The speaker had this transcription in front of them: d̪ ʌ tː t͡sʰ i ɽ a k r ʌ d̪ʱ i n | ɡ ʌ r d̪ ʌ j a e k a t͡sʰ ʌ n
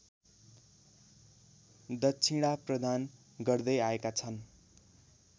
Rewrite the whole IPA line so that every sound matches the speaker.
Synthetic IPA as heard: d̪ ʌ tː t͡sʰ i ɽ a p r ʌ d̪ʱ a n | ɡ ʌ r d̪ ʌ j a e k a t͡sʰ ʌ n